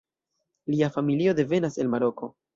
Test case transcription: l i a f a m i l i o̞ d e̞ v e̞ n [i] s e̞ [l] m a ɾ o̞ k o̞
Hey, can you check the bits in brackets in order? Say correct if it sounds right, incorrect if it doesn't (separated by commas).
incorrect, correct